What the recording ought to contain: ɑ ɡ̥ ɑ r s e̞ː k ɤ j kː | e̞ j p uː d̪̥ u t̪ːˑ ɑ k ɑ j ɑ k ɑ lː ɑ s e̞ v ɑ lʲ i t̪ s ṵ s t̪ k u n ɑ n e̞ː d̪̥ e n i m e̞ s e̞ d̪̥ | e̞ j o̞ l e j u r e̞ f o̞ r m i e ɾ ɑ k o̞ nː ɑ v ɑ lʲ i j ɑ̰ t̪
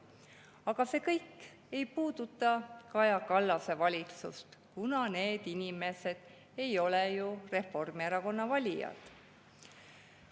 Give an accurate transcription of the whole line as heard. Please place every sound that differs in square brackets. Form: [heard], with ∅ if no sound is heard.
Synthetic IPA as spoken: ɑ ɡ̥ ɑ [∅] s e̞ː k ɤ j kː | e̞ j p uː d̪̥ u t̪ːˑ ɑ k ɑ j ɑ k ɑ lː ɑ s e̞ v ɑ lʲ i t̪ s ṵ s t̪ k u n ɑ n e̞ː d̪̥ [i] n i m e̞ s e̞ d̪̥ | e̞ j o̞ l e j u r e̞ f o̞ r m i e ɾ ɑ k o̞ nː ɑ v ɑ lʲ i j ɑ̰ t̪